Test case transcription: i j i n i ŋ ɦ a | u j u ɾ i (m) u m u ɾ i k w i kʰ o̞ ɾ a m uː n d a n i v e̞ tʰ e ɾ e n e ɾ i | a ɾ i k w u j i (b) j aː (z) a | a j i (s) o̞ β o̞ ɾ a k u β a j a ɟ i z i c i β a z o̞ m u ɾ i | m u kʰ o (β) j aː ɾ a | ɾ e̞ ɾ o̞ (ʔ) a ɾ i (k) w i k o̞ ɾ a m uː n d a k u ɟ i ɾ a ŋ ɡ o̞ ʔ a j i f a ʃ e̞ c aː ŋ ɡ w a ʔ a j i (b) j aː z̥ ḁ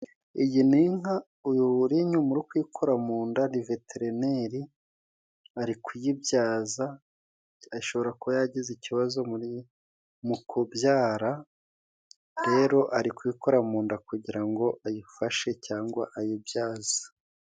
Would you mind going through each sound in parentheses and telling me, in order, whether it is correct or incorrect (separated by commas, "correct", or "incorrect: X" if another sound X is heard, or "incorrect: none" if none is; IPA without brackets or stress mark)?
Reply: incorrect: ɲ, correct, correct, incorrect: ʃ, incorrect: b, correct, correct, correct